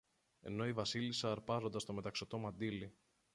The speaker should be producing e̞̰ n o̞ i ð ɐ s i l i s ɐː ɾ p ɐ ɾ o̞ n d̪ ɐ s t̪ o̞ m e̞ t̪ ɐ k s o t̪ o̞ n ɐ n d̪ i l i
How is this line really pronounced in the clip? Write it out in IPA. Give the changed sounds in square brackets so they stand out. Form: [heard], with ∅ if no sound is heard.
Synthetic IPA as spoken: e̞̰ n o̞ i [v] ɐ s i l i s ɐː ɾ p ɐ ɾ o̞ n d̪ ɐ s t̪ o̞ m e̞ t̪ ɐ k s o t̪ o̞ [m] ɐ n d̪ i l i